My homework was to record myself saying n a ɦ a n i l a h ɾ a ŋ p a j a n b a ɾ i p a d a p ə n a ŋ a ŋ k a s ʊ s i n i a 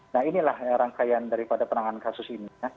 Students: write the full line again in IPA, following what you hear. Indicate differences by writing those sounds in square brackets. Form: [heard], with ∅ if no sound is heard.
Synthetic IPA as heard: n a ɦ [i] n i l a h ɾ a ŋ [k] a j a n [d] a ɾ i p a d a p ə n a ŋ a [n] k a s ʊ s i n i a